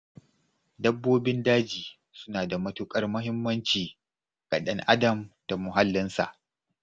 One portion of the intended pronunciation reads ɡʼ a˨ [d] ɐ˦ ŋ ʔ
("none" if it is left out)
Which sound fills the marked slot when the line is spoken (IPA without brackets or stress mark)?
ɗ